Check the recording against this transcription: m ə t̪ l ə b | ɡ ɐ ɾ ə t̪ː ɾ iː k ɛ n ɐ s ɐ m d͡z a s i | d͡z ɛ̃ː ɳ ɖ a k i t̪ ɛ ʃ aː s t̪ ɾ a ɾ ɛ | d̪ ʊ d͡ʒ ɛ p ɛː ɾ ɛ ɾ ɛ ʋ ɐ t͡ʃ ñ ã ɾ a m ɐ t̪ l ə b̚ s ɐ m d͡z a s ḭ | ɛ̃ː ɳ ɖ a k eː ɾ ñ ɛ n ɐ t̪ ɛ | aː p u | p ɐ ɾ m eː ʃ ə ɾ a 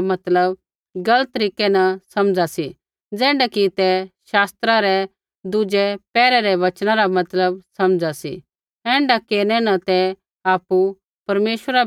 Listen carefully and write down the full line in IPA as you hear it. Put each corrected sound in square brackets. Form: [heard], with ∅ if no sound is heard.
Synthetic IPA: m [ɐ] t̪ l ə b | ɡ ɐ [l] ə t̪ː ɾ iː k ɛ n ɐ s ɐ m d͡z a s i | d͡z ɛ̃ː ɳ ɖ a k i t̪ ɛ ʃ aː s t̪ ɾ a ɾ ɛ | d̪ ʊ d͡ʒ ɛ p ɛː ɾ ɛ ɾ ɛ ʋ ɐ t͡ʃ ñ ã ɾ a m ɐ t̪ l ə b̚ s ɐ m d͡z a s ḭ | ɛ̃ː ɳ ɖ a k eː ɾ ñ ɛ n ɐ t̪ ɛ | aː p u | p ɐ ɾ m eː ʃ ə ɾ a

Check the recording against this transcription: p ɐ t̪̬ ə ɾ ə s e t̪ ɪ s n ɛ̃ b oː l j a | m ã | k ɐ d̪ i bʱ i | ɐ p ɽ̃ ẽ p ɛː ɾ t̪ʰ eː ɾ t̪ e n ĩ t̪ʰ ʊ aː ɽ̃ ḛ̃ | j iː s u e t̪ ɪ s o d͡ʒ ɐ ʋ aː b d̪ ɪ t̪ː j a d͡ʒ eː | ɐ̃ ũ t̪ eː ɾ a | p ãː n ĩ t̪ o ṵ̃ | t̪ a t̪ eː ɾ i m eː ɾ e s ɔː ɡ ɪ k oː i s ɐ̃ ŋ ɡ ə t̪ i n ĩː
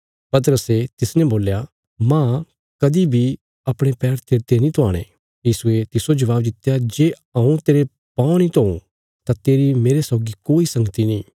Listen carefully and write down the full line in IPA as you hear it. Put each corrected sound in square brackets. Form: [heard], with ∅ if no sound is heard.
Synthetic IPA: p ɐ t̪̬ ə ɾ ə s e t̪ ɪ s n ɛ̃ b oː l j a | m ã | k ɐ d̪ i bʱ i | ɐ p ɽ̃ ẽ p ɛː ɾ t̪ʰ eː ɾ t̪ e n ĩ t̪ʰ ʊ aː ɽ̃ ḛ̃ | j iː s u e t̪ ɪ s o d͡ʒ ɐ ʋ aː b d̪ ɪ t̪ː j a d͡ʒ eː | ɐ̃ ũ t̪ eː ɾ [e] | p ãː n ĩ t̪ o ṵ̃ | t̪ a t̪ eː ɾ i m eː ɾ e s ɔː ɡ [i] k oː i s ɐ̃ ŋ ɡ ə t̪ i n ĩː

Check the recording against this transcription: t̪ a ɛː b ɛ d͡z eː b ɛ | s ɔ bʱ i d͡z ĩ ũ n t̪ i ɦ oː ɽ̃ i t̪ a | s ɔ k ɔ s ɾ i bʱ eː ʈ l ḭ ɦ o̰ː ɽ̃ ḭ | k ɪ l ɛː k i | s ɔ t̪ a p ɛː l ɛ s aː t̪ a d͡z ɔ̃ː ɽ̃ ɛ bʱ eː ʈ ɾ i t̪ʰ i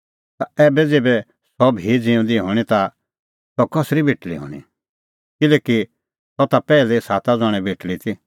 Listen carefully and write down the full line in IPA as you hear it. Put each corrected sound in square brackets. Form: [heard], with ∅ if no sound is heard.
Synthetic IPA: t̪ a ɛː b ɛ d͡z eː b ɛ | s ɔ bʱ i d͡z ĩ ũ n [d̪] i ɦ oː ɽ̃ i t̪ a | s ɔ k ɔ s ɾ i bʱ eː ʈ l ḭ ɦ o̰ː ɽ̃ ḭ | k ɪ l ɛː k i | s ɔ t̪ a p ɛː l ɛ s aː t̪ a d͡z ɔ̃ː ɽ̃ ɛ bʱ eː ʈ [l] i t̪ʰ i

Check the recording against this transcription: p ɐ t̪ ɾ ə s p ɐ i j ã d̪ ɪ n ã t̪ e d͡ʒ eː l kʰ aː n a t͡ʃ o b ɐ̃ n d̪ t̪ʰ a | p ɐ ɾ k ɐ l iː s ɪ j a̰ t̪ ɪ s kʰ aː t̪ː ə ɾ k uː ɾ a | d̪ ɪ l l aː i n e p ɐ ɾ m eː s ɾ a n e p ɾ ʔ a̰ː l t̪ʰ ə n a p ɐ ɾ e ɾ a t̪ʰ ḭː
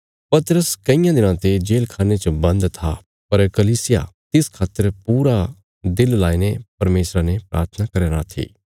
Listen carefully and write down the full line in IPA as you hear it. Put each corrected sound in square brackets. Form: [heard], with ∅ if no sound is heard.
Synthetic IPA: p ɐ t̪ ɾ ə s [k] ɐ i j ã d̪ ɪ n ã t̪ e d͡ʒ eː l kʰ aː n [e] t͡ʃ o b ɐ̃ n d̪ t̪ʰ a | p ɐ ɾ k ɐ l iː s ɪ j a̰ t̪ ɪ s kʰ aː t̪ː ə ɾ [p] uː ɾ a | d̪ ɪ l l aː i n e p ɐ ɾ m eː s ɾ a n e p ɾ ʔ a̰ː [ɾ] t̪ʰ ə n a [k] ɐ ɾ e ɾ a t̪ʰ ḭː

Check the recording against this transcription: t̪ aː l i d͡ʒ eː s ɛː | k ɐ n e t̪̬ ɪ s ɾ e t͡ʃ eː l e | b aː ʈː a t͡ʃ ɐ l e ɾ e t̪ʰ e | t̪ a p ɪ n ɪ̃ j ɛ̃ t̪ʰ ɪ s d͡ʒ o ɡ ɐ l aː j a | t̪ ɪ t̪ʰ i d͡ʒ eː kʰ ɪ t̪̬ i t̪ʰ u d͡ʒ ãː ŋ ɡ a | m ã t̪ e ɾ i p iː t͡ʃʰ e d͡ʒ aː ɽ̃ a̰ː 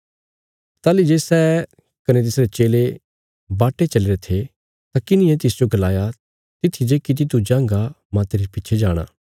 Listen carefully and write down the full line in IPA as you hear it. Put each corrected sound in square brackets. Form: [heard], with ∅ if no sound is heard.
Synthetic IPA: t̪ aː l i d͡ʒ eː s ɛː | k ɐ n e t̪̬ ɪ s ɾ e t͡ʃ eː l e | b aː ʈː [e] t͡ʃ ɐ l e ɾ e t̪ʰ e | t̪ a [k] ɪ n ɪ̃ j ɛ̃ [t̪] ɪ s d͡ʒ o ɡ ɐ l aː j a | t̪ ɪ t̪ʰ i d͡ʒ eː [k] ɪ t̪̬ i [t̪] u d͡ʒ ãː ŋ ɡ a | m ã t̪ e ɾ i p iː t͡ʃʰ e d͡ʒ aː ɽ̃ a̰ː

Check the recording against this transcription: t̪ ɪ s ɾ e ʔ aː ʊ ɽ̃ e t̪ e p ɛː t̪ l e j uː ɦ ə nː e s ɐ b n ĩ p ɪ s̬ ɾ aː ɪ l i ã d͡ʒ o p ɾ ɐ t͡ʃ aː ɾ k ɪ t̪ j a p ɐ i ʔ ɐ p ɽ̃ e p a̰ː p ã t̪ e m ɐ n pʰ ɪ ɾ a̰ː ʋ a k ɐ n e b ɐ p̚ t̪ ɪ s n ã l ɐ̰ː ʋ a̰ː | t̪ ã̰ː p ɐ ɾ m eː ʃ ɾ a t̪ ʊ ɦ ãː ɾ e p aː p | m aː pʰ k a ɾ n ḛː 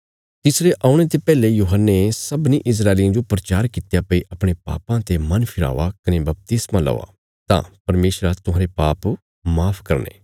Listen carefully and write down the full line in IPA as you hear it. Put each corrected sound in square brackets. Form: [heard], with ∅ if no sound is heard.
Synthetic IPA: t̪ ɪ s ɾ e ʔ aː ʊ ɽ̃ e t̪ e p ɛː [∅] l e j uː ɦ ə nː e s ɐ b n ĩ [ʔ] ɪ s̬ ɾ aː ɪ l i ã d͡ʒ o p ɾ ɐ t͡ʃ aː ɾ k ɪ t̪ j a p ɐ i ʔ ɐ p ɽ̃ e p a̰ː p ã t̪ e m ɐ n pʰ ɪ ɾ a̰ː ʋ a k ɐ n e b ɐ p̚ t̪ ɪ s [m] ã l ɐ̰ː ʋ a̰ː | t̪ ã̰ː p ɐ ɾ m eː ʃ ɾ a t̪ ʊ ɦ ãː ɾ e p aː p | m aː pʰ k [ɐ] ɾ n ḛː

